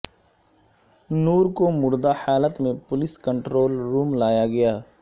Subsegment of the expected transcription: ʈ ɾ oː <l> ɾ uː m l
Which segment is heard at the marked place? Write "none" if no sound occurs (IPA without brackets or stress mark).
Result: l